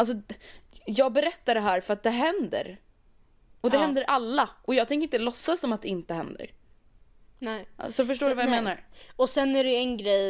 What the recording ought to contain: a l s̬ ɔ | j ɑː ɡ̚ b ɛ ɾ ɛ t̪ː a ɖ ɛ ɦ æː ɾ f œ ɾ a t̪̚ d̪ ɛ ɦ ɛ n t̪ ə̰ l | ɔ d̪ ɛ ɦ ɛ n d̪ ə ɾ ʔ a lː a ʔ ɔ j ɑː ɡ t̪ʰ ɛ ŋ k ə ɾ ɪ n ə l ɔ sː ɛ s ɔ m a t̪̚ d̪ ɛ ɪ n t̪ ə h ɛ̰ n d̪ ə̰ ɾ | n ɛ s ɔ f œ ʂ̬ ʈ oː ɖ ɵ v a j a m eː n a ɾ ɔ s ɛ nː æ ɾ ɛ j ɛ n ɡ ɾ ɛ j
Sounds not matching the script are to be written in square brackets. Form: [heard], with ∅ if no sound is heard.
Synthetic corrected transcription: a l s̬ ɔ | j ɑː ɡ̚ b ɛ ɾ ɛ t̪ː a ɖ ɛ ɦ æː ɾ f œ ɾ a t̪̚ d̪ ɛ ɦ ɛ n [d̪] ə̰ [ɾ] | ɔ d̪ ɛ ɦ ɛ n d̪ ə ɾ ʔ a lː a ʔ ɔ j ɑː ɡ t̪ʰ ɛ ŋ k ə ɾ ɪ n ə l ɔ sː [a] s ɔ m a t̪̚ d̪ ɛ ɪ n t̪ ə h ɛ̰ n d̪ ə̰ ɾ | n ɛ s ɔ f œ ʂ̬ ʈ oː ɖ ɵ v a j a m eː n a ɾ ɔ s ɛ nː æ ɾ ɛ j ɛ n ɡ ɾ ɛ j